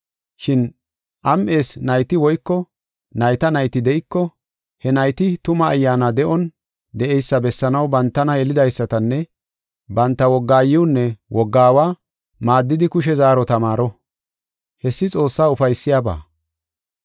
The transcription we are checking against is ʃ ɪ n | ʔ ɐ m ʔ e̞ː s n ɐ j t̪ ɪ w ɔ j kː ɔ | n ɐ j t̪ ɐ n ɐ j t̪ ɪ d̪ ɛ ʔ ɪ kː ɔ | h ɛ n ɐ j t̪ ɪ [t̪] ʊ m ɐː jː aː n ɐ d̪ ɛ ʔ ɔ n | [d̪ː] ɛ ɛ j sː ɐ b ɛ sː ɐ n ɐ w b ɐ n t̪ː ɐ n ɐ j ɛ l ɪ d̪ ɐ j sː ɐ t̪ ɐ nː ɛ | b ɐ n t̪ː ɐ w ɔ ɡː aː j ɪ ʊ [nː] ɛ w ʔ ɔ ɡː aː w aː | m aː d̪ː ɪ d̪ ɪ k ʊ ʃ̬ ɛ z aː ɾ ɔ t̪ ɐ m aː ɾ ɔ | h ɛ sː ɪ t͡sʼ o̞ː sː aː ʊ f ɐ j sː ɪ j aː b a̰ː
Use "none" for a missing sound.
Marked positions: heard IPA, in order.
t̪, d̪, nː

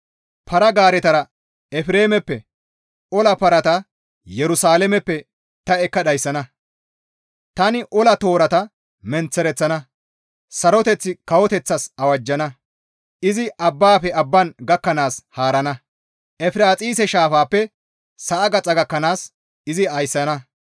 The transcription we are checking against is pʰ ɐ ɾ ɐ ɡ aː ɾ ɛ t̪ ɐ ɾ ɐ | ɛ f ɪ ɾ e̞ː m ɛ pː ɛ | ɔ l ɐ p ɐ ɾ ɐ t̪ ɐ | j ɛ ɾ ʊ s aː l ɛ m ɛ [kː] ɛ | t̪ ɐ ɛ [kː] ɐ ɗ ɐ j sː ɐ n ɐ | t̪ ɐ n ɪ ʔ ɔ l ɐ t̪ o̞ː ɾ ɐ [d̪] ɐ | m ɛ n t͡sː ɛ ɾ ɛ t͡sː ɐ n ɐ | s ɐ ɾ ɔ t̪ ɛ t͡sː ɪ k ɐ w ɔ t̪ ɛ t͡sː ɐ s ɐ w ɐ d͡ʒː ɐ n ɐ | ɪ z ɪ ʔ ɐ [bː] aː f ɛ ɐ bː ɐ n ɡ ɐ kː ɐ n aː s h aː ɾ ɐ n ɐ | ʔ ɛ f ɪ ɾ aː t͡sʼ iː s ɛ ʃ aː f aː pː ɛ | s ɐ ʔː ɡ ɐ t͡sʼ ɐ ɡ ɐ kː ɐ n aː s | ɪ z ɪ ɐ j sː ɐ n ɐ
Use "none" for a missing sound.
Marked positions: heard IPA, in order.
pː, kː, t̪, bː

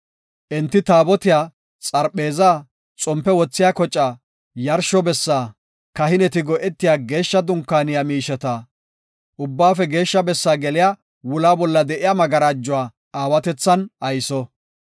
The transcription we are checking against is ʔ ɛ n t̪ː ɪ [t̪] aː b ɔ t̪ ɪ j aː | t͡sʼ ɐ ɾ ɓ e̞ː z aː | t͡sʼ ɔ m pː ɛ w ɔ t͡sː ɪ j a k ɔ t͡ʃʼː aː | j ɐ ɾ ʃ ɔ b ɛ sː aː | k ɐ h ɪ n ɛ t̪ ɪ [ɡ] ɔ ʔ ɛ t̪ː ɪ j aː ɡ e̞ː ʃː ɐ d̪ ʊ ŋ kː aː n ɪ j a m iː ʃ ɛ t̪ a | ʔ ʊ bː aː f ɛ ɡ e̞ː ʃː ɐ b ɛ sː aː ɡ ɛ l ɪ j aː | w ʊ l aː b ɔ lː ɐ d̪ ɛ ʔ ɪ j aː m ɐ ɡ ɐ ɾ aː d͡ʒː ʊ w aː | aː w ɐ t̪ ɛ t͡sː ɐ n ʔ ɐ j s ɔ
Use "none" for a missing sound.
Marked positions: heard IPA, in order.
t̪, ɡ

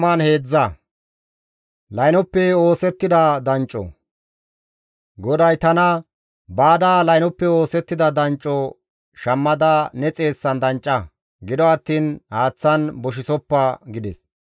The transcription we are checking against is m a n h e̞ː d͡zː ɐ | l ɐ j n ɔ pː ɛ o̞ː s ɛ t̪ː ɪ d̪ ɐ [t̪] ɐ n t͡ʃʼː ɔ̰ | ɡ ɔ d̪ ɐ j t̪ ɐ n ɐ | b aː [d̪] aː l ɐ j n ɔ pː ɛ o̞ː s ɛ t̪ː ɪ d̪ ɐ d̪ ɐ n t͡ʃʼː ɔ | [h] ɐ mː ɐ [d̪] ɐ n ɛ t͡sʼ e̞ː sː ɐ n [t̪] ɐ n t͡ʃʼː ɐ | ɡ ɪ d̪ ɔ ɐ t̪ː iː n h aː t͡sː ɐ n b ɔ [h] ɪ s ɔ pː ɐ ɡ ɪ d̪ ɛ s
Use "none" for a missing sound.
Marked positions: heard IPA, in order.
d̪, d̪, ʃ, d̪, d̪, ʃ

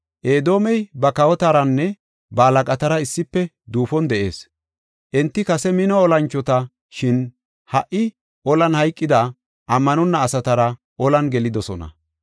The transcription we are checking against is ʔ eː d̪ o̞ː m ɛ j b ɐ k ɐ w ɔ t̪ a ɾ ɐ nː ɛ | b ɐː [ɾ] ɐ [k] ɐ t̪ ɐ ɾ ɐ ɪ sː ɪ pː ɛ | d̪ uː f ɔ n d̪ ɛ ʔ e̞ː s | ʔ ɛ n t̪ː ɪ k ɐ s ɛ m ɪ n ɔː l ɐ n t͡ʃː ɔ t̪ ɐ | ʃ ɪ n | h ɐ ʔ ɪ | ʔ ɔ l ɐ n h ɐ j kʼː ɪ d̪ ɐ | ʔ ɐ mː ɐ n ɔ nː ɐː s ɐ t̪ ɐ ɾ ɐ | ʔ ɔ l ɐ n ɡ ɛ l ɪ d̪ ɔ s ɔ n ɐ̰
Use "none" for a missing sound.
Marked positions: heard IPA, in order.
l, kʼ

